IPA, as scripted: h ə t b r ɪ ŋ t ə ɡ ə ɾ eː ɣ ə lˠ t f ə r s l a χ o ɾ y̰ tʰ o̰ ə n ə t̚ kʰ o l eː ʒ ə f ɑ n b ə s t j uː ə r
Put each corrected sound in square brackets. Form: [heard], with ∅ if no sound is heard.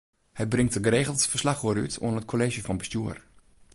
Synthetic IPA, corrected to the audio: h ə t b r ɪ ŋ t ə ɡ ə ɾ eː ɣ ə lˠ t f ə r s l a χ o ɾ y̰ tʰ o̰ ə n ə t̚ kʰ o l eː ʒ ə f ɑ n b ə s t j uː ə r